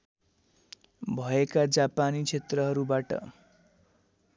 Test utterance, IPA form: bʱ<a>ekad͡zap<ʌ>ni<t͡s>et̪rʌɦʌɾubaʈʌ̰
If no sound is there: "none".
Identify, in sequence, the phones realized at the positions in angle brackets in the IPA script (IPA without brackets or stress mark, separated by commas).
ʌ, a, t͡sʰ